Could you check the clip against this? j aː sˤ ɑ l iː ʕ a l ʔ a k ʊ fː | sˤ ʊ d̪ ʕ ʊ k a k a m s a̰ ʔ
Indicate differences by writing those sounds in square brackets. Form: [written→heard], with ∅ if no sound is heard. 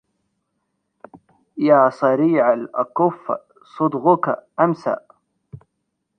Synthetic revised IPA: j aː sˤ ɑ [l→ɾ] iː ʕ a l ʔ a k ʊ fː | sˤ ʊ d̪ [ʕ→ɣ] ʊ k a [k→ʔ] a m s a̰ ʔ